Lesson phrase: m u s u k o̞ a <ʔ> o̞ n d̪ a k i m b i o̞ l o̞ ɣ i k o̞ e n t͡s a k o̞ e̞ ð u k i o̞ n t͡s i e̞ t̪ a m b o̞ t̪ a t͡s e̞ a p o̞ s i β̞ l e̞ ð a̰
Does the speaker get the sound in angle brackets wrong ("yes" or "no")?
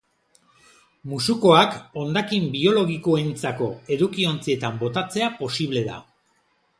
yes